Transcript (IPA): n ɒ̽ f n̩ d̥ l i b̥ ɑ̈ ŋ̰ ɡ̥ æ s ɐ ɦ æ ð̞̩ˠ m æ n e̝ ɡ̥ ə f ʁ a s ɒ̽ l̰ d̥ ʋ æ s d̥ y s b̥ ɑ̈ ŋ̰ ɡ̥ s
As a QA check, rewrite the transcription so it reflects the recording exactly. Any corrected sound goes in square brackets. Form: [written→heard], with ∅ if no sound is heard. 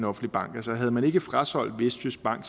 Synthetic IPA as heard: n ɒ̽ f n̩ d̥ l i b̥ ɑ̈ ŋ̰ ɡ̥ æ s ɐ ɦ æ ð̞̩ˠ m æ n e̝ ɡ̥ ə f ʁ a s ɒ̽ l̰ d̥ ʋ [æ→e] s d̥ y s b̥ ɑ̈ ŋ̰ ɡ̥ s

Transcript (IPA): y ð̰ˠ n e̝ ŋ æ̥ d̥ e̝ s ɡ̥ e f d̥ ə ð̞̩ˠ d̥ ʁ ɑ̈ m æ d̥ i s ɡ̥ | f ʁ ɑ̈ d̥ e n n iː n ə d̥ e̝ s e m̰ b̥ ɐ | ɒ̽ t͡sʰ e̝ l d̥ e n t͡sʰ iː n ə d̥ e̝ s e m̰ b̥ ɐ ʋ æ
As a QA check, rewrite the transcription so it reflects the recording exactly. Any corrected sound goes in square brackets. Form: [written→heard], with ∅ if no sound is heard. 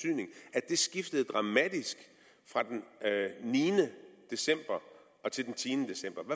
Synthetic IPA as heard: y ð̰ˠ n e̝ ŋ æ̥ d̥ e̝ s ɡ̥ [e→i] f d̥ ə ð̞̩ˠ d̥ ʁ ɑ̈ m æ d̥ i s ɡ̥ | f ʁ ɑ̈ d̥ e n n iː n ə d̥ e̝ s e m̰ b̥ ɐ | ɒ̽ t͡sʰ e̝ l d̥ e n t͡sʰ iː n ə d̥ e̝ s e m̰ b̥ ɐ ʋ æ

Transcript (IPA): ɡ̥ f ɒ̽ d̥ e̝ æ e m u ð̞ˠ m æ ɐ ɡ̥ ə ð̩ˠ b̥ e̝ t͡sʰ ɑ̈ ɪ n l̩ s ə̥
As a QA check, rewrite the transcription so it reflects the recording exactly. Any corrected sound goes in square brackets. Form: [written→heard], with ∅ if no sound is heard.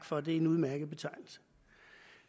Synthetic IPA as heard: ɡ̥ f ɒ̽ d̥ e̝ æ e [m→n] u ð̞ˠ m æ ɐ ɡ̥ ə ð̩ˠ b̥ e̝ t͡sʰ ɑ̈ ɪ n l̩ s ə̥

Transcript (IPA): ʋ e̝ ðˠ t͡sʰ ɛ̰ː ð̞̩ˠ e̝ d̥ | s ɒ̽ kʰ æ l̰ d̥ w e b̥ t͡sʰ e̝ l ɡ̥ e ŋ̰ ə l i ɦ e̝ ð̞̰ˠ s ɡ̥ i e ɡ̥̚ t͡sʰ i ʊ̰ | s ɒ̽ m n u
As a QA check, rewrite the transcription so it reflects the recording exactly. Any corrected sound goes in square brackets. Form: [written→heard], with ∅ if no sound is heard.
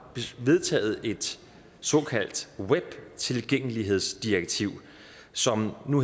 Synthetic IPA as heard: ʋ e̝ ðˠ t͡sʰ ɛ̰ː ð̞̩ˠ e̝ d̥ | s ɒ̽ kʰ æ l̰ d̥ w e b̥ t͡sʰ e̝ l ɡ̥ e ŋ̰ ə l i ɦ e̝ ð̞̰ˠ s [ɡ̥→d̥] i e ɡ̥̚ t͡sʰ i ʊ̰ | s ɒ̽ m n u

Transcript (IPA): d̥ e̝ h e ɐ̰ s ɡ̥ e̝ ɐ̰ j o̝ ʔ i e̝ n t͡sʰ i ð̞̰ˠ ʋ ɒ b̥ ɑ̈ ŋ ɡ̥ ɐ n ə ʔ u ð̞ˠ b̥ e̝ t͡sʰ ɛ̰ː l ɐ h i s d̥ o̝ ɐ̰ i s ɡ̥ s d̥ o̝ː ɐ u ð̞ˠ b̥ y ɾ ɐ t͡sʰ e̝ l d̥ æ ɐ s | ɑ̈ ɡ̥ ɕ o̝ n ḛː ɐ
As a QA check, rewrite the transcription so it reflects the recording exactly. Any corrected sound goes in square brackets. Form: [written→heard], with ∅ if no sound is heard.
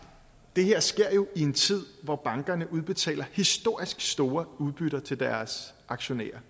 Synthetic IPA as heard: d̥ e̝ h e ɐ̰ s ɡ̥ e̝ ɐ̰ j o̝ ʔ i e̝ n t͡sʰ i ð̞̰ˠ ʋ ɒ b̥ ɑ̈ ŋ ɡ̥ ɐ n ə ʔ u ð̞ˠ b̥ e̝ t͡sʰ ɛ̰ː l ɐ h i s d̥ o̝ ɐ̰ i s ɡ̥ s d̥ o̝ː ɐ u ð̞ˠ b̥ y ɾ ɐ t͡sʰ e̝ l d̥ æ ɐ s | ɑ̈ ɡ̥ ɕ o̝ n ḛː ɐ

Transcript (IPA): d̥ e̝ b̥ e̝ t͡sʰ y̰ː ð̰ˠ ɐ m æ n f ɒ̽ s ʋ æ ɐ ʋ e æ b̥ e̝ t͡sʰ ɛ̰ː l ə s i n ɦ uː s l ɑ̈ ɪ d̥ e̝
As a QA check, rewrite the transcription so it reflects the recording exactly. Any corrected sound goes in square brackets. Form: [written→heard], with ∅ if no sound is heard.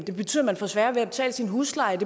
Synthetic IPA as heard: d̥ e̝ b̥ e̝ t͡sʰ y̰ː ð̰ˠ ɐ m æ n f ɒ̽ s ʋ æ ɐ ʋ e æ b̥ e̝ t͡sʰ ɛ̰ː l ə s i n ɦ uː s l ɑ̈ ɪ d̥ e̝

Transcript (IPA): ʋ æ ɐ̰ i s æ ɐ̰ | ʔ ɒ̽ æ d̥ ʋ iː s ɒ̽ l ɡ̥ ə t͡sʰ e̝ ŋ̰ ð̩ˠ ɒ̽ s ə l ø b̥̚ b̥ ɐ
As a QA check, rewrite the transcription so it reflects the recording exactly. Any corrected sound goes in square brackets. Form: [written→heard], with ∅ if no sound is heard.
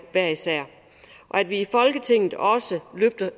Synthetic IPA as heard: ʋ æ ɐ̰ i s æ ɐ̰ | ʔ ɒ̽ æ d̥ ʋ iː [s→f] ɒ̽ l ɡ̥ ə t͡sʰ e̝ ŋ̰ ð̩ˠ ɒ̽ s ə l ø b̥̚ [b̥→d̥] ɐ

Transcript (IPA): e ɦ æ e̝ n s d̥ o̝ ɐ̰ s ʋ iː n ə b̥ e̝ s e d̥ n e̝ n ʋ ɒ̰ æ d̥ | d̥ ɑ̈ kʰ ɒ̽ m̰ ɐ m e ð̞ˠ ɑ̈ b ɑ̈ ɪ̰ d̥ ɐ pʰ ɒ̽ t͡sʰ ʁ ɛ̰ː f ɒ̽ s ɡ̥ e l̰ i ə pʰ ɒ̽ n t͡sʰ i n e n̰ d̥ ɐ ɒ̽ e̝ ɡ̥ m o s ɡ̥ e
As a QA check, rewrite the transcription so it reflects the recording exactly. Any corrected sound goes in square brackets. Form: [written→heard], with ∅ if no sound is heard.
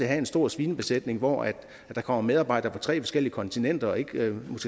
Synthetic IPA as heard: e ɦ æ e̝ n s d̥ o̝ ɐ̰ s ʋ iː n ə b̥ e̝ s e d̥ n e̝ [n→ŋ] ʋ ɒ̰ æ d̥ | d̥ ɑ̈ kʰ ɒ̽ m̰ ɐ m e ð̞ˠ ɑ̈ b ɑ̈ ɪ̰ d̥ ɐ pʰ ɒ̽ t͡sʰ ʁ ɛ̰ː f ɒ̽ s ɡ̥ e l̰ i ə [pʰ→kʰ] ɒ̽ n t͡sʰ i n e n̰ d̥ ɐ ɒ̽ e̝ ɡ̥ m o s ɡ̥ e

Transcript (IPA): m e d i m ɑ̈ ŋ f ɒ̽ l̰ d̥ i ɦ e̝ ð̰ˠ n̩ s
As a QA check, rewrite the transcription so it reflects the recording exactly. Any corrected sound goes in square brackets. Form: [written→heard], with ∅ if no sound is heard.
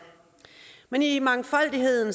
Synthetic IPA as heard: m e [d→n] i m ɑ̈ ŋ f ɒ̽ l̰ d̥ i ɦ e̝ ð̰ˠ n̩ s

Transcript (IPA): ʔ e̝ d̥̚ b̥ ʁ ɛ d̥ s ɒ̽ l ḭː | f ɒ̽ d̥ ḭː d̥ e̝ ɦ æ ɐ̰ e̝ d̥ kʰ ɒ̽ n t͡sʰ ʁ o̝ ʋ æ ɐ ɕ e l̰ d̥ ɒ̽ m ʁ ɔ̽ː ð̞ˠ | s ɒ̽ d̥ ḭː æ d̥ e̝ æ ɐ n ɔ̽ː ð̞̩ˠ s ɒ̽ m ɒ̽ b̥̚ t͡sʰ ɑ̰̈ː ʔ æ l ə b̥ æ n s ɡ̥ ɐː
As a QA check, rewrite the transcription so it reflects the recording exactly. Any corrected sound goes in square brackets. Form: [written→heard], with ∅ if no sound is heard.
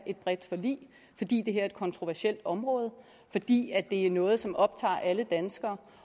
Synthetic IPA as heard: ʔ e̝ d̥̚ b̥ ʁ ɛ d̥ [s→f] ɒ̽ l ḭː | f ɒ̽ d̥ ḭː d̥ e̝ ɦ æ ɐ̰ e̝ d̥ kʰ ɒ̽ n t͡sʰ ʁ o̝ ʋ æ ɐ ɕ e l̰ d̥ ɒ̽ m ʁ ɔ̽ː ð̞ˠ | [s→f] ɒ̽ d̥ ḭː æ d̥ e̝ æ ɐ n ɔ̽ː ð̞̩ˠ s ɒ̽ m ɒ̽ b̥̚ t͡sʰ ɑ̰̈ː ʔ æ l ə [b̥→d̥] æ n s ɡ̥ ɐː

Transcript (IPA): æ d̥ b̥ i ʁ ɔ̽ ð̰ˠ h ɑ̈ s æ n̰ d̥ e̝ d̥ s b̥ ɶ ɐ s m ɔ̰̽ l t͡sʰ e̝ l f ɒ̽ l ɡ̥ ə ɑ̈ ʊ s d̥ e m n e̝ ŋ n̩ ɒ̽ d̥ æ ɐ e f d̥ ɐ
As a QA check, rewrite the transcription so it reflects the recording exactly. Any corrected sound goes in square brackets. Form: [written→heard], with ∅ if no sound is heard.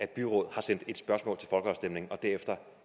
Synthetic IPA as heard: æ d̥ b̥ [i→y] ʁ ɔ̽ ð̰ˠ h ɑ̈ s [æ→e] n̰ d̥ e̝ d̥ s b̥ ɶ ɐ s m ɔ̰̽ l t͡sʰ e̝ l f ɒ̽ l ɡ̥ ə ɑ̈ ʊ s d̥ e m n e̝ ŋ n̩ ɒ̽ d̥ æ ɐ e f d̥ ɐ

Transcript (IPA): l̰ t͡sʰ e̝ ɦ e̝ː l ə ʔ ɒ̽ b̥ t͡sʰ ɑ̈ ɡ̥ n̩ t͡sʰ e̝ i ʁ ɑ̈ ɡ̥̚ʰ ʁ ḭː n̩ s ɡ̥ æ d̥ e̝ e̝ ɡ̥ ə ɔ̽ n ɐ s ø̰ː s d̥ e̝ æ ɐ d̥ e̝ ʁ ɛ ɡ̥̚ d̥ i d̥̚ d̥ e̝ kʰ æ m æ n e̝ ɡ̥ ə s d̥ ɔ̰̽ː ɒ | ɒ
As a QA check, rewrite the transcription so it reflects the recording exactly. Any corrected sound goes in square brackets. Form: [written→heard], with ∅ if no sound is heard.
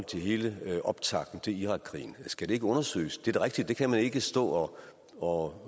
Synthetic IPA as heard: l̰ t͡sʰ e̝ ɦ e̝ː l ə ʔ ɒ̽ b̥ t͡sʰ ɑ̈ ɡ̥ n̩ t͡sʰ e̝ i ʁ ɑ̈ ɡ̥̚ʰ ʁ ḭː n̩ s ɡ̥ æ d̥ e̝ e̝ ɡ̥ ə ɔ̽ n ɐ s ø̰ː s d̥ e̝ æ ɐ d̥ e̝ ʁ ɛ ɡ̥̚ d̥ i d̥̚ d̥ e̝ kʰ æ m æ n e̝ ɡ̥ ə s d̥ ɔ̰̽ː ɒ | ɒ

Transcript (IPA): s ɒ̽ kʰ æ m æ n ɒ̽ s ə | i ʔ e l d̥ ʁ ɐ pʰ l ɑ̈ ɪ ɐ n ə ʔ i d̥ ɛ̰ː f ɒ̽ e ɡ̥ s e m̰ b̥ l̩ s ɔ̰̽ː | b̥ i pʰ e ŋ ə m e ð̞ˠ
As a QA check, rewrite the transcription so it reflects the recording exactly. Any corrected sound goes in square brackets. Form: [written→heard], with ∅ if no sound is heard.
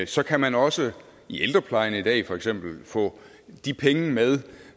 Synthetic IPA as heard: s ɒ̽ kʰ æ m æ n ɒ̽ s ə | i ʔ e l d̥ ʁ ɐ pʰ l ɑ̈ ɪ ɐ n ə [ʔ→∅] i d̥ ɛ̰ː f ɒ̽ e ɡ̥ s e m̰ b̥ l̩ [s→f] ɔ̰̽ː | [b̥→d̥] i pʰ e ŋ ə m e ð̞ˠ

